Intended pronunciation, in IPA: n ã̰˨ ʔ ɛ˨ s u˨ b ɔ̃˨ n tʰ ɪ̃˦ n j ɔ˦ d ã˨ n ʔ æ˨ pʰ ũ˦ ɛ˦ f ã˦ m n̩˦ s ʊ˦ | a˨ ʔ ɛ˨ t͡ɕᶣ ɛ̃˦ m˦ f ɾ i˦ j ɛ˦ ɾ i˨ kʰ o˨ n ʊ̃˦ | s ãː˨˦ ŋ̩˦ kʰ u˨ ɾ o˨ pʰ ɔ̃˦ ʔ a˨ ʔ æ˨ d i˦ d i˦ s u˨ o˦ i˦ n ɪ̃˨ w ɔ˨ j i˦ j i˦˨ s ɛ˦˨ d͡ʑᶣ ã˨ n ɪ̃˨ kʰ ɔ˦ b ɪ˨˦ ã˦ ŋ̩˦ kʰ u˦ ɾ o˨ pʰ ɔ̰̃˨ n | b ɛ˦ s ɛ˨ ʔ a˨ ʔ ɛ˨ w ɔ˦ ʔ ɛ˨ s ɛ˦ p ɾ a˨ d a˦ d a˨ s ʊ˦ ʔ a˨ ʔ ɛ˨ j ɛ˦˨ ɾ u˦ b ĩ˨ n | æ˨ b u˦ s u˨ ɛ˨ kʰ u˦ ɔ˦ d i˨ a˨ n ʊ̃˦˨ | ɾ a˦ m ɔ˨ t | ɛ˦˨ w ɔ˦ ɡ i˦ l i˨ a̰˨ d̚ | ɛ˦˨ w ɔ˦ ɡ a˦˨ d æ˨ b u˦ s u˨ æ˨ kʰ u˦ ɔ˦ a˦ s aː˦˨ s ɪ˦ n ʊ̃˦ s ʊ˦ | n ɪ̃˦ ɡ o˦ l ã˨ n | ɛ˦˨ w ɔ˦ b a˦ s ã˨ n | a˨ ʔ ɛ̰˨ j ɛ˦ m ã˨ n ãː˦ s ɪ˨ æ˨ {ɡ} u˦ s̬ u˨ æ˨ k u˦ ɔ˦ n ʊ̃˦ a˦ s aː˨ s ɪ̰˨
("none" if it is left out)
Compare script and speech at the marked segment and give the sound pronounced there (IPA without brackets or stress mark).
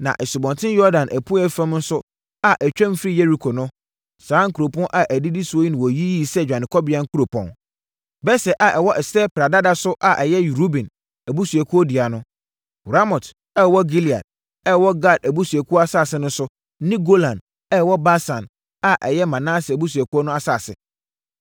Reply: b